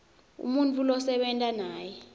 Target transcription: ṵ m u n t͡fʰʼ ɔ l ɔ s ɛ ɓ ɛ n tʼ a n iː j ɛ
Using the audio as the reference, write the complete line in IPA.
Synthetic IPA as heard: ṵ m u n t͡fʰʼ u l ɔ s ɛ ɓ ɛ n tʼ a n aː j ɛ